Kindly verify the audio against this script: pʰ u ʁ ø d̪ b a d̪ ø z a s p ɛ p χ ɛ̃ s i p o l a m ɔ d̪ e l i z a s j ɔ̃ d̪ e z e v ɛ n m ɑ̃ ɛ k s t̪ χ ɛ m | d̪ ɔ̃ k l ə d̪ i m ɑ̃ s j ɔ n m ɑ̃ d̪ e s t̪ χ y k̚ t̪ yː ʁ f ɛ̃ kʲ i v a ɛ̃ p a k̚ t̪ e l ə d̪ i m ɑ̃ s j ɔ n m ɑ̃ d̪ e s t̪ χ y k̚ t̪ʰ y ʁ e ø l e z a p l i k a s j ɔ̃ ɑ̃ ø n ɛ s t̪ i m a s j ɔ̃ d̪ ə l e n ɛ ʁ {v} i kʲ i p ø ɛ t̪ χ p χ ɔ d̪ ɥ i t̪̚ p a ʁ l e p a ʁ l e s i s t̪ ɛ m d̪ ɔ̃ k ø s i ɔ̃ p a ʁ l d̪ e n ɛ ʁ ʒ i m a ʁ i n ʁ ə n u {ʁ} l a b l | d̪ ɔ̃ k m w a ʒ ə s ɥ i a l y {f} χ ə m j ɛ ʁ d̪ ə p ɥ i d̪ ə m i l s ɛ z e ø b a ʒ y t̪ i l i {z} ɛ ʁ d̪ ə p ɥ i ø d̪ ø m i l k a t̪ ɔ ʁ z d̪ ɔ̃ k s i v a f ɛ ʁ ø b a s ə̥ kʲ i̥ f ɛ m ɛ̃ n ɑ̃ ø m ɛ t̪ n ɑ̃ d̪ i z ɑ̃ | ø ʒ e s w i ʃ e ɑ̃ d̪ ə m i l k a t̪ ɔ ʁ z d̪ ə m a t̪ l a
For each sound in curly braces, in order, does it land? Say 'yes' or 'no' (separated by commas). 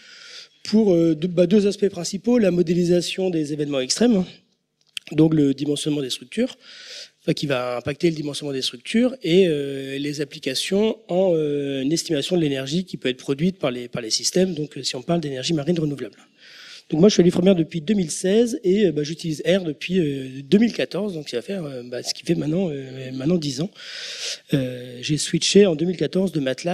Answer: no, no, yes, yes